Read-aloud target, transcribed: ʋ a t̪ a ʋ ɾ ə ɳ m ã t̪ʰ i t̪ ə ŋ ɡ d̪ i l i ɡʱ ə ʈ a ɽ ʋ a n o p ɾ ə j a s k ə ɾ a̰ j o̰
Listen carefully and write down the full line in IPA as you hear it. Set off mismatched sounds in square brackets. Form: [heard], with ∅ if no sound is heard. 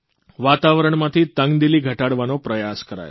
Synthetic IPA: ʋ a t̪ a ʋ ɾ ə ɳ m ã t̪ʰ i t̪ ə ŋ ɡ d̪ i l i ɡʱ ə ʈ a ɽ ʋ a n o p ɾ ə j a s k ə ɾ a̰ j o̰